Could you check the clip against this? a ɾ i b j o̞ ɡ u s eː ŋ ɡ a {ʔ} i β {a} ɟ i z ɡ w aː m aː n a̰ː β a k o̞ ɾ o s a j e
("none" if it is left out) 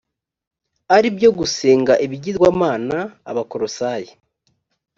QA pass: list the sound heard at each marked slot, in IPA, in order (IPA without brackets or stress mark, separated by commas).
ʔ, i